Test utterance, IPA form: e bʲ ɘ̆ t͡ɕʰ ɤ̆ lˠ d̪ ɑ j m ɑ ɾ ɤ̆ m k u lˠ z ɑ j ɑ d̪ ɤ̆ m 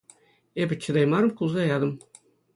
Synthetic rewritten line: e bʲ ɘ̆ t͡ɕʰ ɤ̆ d̪ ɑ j m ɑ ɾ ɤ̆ m k u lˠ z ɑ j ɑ d̪ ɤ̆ m